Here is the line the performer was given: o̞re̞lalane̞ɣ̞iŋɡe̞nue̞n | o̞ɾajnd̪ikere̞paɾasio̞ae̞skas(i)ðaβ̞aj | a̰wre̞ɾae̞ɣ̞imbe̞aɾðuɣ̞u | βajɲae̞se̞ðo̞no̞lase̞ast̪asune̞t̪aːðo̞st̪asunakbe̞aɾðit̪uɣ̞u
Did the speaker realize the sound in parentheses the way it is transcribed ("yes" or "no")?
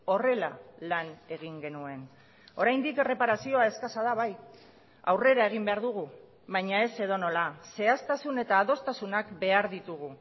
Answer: no